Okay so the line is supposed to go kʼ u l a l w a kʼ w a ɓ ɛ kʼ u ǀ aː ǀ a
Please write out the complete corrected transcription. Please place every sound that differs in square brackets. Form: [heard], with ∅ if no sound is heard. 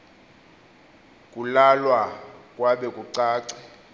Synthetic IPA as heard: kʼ u l a l w a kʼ w a ɓ ɛ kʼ u ǀ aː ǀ [ɛ]